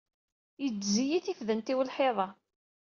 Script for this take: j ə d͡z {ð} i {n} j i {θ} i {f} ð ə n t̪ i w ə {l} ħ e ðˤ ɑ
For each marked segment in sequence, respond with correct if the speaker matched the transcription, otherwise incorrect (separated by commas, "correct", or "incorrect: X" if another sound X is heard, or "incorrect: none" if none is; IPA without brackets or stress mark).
incorrect: z, incorrect: none, correct, correct, correct